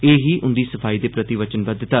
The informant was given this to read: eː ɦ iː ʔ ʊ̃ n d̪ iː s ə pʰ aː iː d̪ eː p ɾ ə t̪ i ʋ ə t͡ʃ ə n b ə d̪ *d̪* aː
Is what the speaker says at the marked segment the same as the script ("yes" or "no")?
no